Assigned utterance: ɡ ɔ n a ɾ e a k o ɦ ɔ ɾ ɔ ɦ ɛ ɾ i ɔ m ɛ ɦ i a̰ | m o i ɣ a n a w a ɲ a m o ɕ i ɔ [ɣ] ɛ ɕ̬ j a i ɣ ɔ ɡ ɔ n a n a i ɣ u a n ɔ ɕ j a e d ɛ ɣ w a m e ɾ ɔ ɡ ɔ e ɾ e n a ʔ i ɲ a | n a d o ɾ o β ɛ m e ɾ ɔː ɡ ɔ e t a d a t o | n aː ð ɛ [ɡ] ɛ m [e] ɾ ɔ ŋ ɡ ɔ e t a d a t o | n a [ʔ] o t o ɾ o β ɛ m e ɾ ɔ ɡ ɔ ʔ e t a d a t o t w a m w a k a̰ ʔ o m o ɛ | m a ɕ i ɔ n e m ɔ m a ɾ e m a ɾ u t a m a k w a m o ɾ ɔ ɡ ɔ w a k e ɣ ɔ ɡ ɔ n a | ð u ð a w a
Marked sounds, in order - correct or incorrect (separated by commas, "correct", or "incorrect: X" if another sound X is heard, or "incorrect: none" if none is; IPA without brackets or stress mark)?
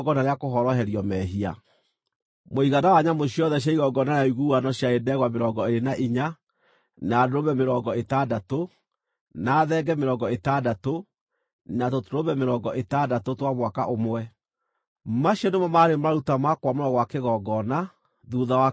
incorrect: ð, correct, correct, incorrect: t